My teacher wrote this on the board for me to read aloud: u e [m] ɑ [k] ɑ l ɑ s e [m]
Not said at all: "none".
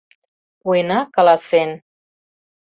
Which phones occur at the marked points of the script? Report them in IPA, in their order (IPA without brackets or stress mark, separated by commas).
n, k, n